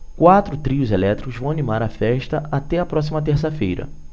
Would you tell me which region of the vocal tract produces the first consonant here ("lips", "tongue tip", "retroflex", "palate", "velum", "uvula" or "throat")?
velum